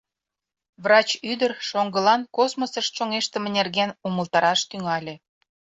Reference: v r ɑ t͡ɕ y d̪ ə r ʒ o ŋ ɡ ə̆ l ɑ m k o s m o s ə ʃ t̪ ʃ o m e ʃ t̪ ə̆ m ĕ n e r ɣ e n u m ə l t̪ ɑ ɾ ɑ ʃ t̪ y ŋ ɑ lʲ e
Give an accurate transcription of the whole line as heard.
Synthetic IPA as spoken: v r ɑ t͡ɕ y d̪ ə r ʃ o ŋ ɡ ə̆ l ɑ n k o s m o s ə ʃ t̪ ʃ o ŋ e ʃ t̪ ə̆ m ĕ n e r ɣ e n u m ə l t̪ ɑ ɾ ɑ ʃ t̪ y ŋ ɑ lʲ e